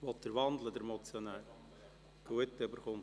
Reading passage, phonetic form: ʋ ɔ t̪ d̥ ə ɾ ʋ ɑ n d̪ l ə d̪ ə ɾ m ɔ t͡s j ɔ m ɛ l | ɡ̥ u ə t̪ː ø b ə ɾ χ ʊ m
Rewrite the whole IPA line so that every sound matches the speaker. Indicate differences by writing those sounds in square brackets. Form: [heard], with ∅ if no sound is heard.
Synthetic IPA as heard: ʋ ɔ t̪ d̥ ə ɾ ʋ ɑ n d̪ l ə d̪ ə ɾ m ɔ t͡s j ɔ [n] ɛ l | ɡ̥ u ə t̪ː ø b ə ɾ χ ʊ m